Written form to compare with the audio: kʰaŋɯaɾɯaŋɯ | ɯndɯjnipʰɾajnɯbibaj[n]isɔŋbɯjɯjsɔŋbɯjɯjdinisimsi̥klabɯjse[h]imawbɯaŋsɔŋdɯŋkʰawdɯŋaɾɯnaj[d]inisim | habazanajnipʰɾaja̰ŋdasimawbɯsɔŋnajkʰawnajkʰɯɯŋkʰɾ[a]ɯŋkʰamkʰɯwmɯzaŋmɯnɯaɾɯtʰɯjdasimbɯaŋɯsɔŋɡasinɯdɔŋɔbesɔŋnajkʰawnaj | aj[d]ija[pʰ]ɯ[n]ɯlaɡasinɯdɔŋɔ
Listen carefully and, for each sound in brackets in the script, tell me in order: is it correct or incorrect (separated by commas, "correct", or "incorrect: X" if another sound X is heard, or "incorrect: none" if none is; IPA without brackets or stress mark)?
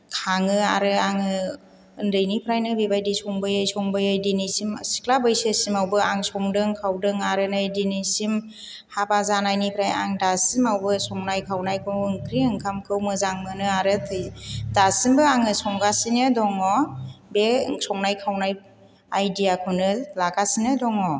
incorrect: d, incorrect: s, correct, incorrect: i, correct, incorrect: kʰ, correct